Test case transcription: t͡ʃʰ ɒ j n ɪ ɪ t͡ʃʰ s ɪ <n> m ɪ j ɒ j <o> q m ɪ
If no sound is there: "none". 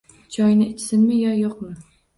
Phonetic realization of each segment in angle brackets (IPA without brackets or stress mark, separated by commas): n, o